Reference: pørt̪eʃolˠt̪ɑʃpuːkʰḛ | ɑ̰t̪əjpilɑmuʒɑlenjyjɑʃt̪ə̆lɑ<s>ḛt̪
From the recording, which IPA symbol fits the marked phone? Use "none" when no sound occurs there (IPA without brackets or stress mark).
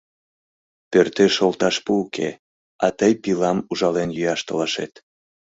ʃ